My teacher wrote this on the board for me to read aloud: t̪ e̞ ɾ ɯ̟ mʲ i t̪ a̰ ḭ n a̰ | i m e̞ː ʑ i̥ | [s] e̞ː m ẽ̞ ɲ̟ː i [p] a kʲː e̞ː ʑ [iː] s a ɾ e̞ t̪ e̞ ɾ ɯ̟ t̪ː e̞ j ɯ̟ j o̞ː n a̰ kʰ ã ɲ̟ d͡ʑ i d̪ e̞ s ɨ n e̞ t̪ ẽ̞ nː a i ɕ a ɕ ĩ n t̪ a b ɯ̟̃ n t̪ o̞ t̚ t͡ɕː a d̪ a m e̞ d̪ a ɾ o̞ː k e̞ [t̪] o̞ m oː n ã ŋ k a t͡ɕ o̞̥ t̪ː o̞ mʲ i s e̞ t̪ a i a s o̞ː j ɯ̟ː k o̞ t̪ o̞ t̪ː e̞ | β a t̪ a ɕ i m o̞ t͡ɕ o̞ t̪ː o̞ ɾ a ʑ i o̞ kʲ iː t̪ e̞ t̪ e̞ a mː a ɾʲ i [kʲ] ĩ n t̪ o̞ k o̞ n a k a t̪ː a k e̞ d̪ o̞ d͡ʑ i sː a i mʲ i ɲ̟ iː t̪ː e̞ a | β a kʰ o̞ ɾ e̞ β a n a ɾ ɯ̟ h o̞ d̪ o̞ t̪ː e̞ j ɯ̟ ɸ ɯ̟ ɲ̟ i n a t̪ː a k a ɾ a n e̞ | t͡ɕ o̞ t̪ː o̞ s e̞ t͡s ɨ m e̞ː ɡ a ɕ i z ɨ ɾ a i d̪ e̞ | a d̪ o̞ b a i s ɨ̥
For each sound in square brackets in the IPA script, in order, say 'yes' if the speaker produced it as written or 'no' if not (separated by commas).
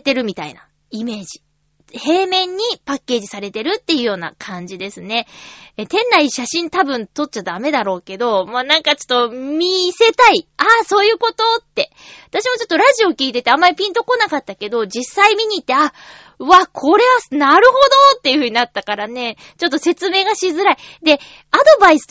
no, yes, no, no, no